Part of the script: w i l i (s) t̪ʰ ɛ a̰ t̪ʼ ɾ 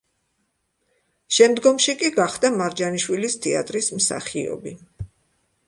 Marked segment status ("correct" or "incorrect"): correct